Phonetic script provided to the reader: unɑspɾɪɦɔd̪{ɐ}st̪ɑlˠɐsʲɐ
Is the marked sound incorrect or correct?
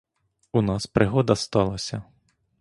correct